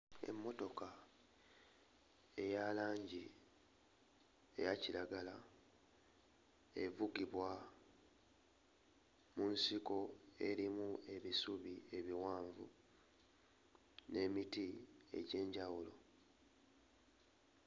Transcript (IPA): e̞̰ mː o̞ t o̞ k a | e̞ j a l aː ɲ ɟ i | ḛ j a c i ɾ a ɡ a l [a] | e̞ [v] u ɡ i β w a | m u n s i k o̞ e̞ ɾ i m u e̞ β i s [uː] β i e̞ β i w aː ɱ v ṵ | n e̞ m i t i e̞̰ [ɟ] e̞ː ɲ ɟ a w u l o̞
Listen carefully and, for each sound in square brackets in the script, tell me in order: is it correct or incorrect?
correct, correct, incorrect, correct

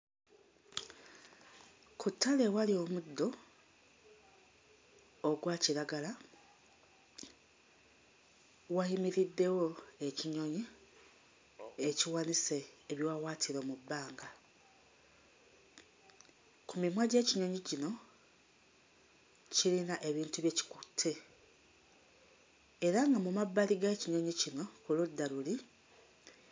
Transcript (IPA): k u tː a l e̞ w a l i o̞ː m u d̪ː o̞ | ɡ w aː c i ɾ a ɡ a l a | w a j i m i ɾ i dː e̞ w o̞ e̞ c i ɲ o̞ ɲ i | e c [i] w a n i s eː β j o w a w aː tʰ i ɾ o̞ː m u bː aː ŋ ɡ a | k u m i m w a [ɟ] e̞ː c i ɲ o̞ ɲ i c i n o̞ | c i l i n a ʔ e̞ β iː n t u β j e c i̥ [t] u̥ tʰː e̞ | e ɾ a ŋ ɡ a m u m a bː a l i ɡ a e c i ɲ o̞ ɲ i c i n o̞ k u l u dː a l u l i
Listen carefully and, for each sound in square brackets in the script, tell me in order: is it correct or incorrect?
correct, correct, incorrect

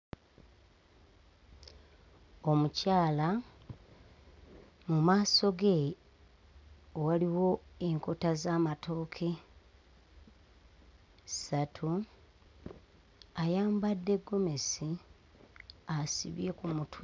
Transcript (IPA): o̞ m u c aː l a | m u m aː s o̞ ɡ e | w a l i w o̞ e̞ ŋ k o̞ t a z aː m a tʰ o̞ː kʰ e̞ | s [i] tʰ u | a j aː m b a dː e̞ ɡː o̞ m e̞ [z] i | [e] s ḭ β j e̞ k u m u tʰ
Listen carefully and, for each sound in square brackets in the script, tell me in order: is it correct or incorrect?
incorrect, incorrect, incorrect

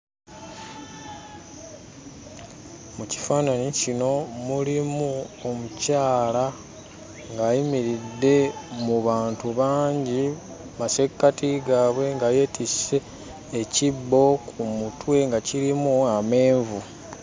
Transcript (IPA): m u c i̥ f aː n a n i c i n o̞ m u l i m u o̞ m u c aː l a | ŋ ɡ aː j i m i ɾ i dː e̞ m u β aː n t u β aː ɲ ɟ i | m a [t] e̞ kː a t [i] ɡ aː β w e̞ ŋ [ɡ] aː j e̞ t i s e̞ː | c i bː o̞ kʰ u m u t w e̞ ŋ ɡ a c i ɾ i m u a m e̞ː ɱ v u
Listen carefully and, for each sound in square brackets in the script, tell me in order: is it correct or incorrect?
incorrect, correct, correct

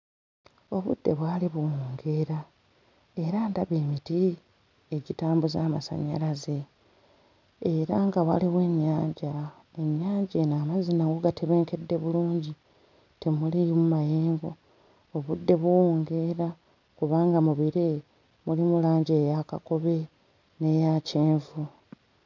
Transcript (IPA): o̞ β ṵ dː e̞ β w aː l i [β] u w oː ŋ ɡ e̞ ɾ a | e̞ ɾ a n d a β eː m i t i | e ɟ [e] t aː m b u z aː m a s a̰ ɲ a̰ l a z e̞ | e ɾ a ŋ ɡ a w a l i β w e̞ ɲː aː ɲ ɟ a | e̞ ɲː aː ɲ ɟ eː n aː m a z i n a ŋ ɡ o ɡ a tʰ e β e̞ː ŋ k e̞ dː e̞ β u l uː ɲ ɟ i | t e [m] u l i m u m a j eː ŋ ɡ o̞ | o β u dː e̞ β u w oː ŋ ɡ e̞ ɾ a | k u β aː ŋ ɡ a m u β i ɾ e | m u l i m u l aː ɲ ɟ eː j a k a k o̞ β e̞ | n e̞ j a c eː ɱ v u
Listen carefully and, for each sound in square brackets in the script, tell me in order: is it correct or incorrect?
correct, incorrect, correct

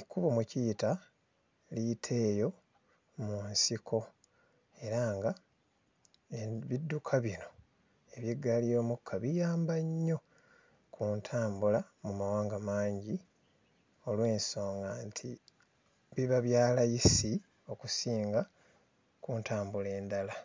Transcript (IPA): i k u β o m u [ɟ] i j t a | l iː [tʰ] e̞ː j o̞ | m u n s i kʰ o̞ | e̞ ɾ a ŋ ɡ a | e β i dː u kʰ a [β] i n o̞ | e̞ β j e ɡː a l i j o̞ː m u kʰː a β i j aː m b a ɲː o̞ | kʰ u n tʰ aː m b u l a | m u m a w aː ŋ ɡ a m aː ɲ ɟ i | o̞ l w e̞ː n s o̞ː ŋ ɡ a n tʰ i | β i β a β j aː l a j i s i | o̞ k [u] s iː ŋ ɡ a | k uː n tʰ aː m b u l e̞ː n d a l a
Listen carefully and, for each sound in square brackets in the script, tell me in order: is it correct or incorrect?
incorrect, correct, correct, correct

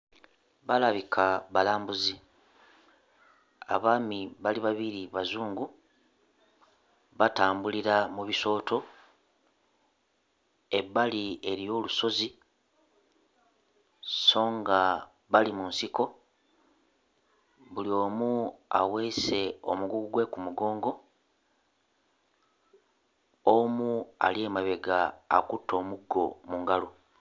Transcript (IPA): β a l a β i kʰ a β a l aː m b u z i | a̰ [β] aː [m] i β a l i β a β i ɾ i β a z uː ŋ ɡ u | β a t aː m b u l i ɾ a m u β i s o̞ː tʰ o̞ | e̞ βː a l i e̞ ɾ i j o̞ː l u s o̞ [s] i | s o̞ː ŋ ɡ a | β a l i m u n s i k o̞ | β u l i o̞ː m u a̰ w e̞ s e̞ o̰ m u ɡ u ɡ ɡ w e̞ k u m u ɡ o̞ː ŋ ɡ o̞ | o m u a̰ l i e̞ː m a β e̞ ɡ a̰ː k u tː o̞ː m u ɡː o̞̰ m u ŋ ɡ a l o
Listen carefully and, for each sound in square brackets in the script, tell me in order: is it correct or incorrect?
correct, correct, incorrect

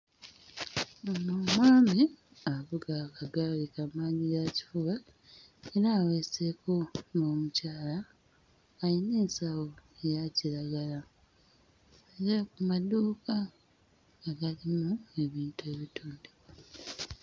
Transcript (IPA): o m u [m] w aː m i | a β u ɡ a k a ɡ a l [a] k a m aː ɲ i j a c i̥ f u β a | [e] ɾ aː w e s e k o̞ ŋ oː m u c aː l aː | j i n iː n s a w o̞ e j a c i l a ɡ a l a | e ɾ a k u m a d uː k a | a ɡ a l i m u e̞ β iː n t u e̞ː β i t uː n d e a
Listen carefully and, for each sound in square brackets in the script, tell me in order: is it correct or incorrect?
correct, incorrect, correct

